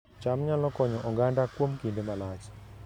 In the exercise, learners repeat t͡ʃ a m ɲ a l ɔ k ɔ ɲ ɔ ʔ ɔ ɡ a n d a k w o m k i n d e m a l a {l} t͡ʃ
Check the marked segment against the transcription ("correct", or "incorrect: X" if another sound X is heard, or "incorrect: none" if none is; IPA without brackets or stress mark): incorrect: none